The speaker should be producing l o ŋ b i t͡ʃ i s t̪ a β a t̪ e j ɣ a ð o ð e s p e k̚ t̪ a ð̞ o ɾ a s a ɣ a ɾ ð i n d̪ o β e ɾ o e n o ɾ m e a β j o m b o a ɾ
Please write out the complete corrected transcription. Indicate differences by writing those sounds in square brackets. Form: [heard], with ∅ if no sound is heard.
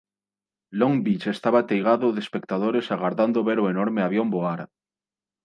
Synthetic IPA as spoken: l o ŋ b i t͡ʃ [e] s t̪ a β a t̪ e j ɣ a ð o ð e s p e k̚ t̪ a ð̞ o ɾ [e] s a ɣ a ɾ ð [a] n d̪ o β e ɾ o e n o ɾ m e a β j o m b o a ɾ